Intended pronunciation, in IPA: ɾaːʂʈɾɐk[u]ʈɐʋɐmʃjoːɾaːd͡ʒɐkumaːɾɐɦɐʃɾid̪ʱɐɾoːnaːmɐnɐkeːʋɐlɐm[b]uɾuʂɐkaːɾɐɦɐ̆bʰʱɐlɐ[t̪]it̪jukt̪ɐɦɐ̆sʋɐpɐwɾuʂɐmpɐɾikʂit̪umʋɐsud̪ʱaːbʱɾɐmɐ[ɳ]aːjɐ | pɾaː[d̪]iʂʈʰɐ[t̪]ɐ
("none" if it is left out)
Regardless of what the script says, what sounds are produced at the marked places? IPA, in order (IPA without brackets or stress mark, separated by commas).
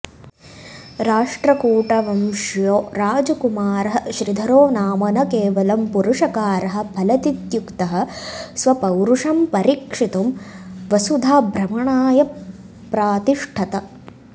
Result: uː, p, t̪, ɳ, t̪, t̪